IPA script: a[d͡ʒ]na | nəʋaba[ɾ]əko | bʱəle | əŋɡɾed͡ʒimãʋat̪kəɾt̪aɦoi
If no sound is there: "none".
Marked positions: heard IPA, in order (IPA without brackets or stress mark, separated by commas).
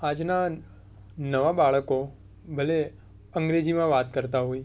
d͡ʒ, ɭ